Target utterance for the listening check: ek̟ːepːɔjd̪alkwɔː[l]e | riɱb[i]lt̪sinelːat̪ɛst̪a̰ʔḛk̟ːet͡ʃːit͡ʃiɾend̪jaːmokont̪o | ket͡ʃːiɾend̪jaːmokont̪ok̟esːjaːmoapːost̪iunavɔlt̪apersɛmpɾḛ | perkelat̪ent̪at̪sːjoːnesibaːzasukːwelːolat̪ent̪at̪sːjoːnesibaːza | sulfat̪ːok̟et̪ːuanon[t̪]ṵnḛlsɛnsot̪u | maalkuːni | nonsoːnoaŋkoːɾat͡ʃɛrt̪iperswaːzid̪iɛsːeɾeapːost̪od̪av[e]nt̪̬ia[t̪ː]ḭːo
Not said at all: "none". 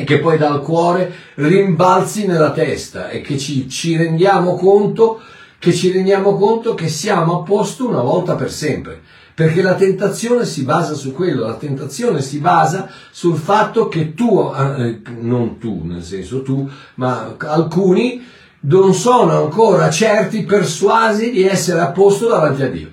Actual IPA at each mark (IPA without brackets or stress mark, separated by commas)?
ɾ, a, t̪, a, d̪ː